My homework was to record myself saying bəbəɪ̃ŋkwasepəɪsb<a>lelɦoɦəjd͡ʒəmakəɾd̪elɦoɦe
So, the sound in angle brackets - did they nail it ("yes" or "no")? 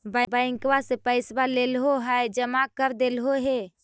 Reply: yes